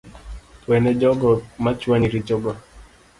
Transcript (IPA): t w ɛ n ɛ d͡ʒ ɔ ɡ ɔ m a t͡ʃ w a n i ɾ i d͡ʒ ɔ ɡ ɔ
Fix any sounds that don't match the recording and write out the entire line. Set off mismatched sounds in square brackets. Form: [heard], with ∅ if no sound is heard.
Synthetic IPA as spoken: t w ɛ n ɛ d͡ʒ ɔ ɡ ɔ m a t͡ʃ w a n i ɾ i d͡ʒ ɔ ɡ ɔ